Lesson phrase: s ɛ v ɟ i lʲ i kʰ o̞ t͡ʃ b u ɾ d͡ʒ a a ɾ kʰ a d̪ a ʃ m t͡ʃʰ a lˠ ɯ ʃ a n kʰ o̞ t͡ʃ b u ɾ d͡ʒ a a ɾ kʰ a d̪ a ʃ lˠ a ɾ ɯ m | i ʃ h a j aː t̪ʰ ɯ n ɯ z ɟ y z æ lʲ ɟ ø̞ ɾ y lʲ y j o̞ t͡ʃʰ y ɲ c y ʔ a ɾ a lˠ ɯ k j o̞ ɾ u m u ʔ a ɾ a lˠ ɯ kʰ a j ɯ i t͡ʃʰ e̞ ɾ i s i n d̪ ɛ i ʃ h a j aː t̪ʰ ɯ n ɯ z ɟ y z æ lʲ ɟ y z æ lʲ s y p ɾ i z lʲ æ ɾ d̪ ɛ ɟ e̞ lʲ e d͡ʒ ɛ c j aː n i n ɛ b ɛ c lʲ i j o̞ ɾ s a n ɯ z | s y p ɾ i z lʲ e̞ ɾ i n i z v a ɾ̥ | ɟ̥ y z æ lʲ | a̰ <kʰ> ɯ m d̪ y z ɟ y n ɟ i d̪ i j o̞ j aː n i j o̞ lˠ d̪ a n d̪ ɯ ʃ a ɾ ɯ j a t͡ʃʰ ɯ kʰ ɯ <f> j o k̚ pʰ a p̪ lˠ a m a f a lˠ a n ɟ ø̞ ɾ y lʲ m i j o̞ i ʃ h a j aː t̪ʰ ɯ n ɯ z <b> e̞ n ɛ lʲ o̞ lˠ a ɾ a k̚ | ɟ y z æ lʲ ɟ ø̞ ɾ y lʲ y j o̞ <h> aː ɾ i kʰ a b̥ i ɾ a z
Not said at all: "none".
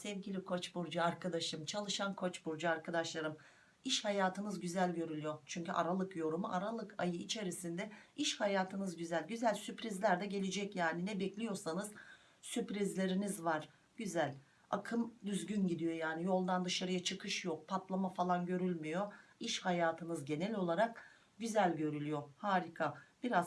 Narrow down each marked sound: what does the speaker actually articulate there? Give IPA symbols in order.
kʰ, ʃ, ɟ, h

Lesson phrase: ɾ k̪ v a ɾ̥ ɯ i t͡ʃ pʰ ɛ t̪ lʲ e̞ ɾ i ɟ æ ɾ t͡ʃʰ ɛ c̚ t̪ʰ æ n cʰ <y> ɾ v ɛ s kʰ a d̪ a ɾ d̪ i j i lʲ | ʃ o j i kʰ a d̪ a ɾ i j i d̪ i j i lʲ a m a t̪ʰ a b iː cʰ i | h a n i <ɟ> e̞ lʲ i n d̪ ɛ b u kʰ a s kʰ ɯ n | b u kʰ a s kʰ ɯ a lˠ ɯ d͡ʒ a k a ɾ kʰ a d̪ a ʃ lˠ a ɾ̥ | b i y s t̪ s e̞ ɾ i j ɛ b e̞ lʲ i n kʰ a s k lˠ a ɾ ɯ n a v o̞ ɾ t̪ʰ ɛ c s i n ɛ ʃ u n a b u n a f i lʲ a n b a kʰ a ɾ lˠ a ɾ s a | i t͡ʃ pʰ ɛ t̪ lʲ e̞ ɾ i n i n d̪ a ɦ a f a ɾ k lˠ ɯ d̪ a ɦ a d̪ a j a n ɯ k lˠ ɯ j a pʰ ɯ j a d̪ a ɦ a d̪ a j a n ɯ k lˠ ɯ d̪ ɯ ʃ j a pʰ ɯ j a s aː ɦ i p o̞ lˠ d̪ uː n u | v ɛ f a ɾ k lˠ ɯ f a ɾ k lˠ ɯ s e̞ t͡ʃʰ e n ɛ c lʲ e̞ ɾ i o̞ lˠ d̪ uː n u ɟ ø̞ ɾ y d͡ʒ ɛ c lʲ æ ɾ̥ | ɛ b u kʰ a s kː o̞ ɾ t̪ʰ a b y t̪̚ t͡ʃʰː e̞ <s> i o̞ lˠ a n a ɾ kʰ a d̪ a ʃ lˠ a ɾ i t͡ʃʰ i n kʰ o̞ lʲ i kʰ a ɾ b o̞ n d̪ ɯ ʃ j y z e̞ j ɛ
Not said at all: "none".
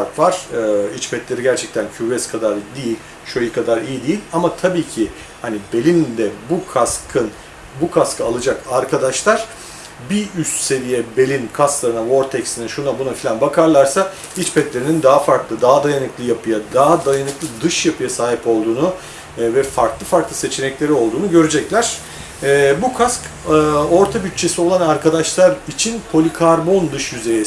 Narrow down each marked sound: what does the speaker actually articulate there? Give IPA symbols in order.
y, b, s

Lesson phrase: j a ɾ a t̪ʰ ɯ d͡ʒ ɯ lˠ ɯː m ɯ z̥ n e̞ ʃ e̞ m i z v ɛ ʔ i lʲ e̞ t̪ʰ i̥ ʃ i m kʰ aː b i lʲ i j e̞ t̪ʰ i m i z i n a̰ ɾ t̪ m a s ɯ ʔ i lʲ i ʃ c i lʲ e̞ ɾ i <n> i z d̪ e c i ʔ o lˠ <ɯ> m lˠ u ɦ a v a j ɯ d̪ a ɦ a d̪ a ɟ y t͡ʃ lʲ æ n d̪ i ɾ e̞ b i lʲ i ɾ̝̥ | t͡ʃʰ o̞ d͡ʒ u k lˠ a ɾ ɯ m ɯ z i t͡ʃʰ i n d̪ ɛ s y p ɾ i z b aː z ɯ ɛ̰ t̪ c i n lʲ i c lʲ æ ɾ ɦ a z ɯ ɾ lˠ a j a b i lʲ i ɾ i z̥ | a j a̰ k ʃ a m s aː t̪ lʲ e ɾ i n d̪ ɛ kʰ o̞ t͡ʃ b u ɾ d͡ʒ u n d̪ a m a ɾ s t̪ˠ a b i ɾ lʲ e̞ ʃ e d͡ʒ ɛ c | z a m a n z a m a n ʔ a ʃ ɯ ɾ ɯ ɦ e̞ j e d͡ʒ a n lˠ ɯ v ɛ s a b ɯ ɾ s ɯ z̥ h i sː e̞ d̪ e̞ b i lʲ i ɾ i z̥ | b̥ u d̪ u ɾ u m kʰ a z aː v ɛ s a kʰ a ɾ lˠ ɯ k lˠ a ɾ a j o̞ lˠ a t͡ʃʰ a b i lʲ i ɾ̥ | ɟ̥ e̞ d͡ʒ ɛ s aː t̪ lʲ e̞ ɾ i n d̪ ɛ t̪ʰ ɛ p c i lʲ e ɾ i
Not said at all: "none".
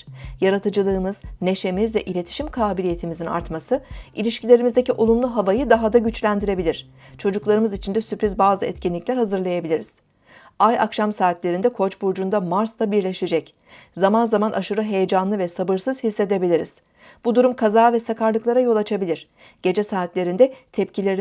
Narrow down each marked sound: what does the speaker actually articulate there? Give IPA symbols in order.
m, u

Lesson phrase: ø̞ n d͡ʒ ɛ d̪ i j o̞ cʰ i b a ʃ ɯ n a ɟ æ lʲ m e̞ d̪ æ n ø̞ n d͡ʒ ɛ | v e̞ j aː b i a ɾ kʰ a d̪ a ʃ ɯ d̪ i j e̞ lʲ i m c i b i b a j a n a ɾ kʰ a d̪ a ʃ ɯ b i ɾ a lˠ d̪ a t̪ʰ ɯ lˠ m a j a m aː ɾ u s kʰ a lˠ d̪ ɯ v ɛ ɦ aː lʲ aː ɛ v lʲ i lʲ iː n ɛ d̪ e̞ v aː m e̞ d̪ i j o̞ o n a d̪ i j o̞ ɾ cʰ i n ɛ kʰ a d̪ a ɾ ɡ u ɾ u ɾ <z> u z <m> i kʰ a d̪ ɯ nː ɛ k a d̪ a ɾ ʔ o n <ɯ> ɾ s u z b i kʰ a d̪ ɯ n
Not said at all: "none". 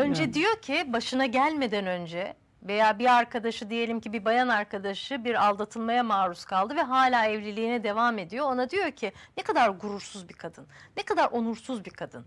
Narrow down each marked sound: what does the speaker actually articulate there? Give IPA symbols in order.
s, b, u

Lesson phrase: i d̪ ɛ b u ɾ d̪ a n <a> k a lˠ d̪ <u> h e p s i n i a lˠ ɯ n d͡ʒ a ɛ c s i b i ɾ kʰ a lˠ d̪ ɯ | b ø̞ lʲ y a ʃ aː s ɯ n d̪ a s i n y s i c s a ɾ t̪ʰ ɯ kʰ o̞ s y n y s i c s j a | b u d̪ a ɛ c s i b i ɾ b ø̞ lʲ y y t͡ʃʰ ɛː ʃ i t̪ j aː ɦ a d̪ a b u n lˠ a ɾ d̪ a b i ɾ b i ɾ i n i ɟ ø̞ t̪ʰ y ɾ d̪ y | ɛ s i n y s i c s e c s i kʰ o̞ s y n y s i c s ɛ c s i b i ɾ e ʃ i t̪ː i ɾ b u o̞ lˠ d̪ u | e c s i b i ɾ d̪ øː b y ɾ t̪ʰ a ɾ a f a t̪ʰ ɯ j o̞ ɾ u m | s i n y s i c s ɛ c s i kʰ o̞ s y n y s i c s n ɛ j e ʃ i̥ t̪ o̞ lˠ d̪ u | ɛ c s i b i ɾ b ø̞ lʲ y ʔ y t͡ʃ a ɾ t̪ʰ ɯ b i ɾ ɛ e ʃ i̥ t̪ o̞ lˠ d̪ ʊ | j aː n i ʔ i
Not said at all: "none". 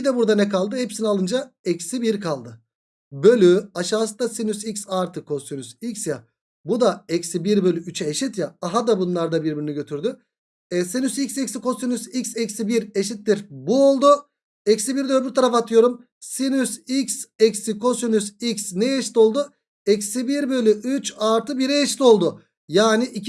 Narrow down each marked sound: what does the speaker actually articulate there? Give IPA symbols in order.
ɛ, ɯ

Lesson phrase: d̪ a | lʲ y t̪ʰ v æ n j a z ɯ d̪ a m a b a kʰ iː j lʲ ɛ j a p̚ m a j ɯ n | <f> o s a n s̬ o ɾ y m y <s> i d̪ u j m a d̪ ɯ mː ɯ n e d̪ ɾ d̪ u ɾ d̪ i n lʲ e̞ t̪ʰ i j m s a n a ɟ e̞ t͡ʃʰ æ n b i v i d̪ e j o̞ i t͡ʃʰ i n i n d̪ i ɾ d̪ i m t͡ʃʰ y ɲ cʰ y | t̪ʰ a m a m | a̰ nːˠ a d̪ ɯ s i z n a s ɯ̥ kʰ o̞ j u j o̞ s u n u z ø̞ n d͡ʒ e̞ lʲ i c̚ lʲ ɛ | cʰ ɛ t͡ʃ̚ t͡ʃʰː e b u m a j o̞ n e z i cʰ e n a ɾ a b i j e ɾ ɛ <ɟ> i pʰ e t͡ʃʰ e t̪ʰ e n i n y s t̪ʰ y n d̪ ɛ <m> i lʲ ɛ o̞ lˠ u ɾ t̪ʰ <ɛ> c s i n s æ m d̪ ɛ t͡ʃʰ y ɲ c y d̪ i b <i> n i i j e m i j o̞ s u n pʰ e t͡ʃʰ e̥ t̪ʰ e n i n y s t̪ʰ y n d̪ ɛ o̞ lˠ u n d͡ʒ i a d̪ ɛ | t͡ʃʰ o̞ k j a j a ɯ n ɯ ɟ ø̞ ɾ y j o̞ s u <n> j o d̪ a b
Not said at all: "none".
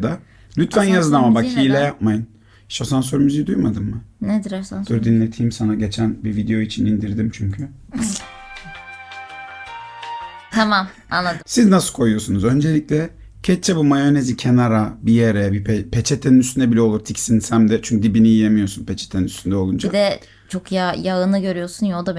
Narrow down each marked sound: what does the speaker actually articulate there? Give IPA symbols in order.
ʃ, z, b, b, i, i, n

